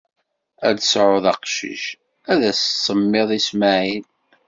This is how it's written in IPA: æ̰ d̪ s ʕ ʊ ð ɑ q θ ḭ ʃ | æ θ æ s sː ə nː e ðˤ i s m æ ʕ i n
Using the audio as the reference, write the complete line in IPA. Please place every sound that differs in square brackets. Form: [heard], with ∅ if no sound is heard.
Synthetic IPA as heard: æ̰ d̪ s ʕ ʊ ð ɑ q [ʃ] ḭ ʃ | æ [ð] æ s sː ə [mː] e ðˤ i s m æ ʕ i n

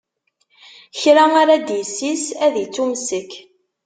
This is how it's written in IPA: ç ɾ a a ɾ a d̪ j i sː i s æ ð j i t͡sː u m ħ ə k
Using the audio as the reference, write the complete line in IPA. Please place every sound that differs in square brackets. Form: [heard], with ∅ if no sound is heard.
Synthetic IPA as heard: ç ɾ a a ɾ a d̪ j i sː i s æ ð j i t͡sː u m [s] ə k

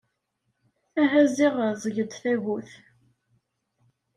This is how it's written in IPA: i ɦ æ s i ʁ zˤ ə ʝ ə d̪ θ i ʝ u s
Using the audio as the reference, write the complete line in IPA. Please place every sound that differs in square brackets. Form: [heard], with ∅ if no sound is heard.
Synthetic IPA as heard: [æ] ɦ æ [z] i ʁ zˤ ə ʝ ə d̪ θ [æ] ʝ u [θ]

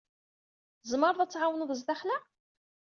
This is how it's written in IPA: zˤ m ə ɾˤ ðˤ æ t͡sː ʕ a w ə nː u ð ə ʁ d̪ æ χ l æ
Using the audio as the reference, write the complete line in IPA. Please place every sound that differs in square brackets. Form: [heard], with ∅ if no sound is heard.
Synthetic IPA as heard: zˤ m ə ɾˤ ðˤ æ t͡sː ʕ a w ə [n] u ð ə [z] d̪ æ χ l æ

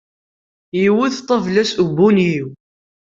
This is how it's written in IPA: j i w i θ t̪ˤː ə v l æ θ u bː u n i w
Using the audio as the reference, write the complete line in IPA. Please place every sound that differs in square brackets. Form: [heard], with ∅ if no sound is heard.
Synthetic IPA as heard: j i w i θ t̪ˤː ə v l æ [s] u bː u n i w

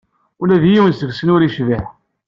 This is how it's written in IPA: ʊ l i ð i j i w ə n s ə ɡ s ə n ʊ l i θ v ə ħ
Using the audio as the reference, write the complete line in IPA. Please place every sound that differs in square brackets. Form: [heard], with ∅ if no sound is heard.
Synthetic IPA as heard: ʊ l [æ] ð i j i w ə n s ə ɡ s ə n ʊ [ɾ] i [ʃ] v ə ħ

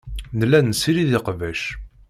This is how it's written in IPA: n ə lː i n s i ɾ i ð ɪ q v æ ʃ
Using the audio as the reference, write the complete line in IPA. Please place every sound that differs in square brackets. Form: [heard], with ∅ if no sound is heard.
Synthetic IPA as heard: n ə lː [æ] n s i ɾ i ð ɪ q v æ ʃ

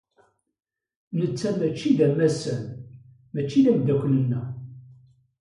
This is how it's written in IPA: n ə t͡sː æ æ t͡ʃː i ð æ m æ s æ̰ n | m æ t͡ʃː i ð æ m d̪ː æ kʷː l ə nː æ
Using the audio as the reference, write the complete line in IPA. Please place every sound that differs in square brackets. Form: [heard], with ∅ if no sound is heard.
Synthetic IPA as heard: n ə t͡sː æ æ t͡ʃː i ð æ m æ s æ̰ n | m æ t͡ʃː i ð æ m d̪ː æ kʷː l ə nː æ

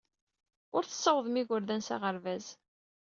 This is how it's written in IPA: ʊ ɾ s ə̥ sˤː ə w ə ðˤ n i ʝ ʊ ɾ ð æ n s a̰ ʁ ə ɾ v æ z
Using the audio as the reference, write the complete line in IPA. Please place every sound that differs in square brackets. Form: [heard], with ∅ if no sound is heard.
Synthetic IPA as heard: ʊ ɾ [θ] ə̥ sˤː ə w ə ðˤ [m] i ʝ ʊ ɾ ð æ n s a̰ ʁ ə ɾ v æ z

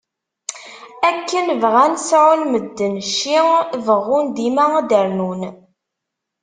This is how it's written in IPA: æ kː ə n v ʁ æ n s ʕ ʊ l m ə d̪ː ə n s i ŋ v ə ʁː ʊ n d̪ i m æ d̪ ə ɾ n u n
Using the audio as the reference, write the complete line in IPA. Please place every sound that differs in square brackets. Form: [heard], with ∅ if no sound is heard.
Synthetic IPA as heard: æ kː ə n v ʁ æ n s ʕ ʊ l m ə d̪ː ə n [ʃ] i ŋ v ə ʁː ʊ n d̪ i m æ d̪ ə ɾ n u n

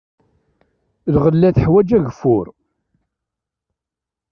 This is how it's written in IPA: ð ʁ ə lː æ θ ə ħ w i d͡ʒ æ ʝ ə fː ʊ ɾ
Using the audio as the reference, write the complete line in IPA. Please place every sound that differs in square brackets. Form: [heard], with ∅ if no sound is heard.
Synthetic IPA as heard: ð ʁ ə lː æ θ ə ħ w [æ] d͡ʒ æ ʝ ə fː ʊ ɾ

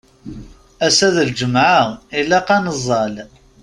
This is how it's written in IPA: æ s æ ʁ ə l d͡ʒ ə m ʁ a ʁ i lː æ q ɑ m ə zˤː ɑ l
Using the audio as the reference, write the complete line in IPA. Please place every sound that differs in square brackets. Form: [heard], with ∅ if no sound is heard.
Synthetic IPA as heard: æ s æ [ð] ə l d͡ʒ ə m [ʕ] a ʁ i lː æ q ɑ [n] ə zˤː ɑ l

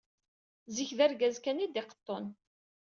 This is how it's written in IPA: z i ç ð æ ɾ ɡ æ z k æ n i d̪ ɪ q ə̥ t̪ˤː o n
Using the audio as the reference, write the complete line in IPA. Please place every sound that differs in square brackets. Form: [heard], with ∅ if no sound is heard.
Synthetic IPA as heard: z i ç ð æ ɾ ɡ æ z k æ n i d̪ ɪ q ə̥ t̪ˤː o n

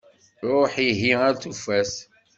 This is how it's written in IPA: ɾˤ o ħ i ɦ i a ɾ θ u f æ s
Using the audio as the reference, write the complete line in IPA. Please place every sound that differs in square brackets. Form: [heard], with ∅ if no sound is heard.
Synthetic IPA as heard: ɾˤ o ħ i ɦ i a ɾ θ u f æ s

